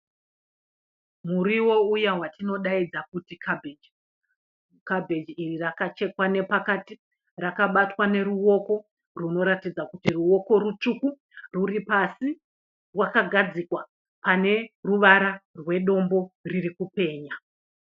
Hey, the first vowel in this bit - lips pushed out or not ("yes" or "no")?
yes